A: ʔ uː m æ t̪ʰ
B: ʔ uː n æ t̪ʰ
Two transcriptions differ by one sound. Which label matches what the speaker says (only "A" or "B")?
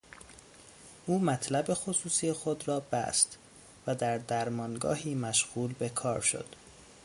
A